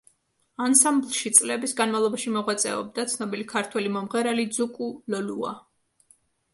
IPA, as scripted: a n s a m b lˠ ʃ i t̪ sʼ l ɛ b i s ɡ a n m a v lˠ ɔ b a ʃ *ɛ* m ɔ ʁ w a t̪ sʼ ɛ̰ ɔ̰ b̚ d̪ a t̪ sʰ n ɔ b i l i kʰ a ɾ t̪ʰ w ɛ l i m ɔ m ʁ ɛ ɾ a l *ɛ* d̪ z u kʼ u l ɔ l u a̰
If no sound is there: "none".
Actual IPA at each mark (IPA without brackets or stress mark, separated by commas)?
i, i